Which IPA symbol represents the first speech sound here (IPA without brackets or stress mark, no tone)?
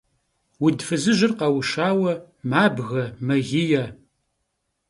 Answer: w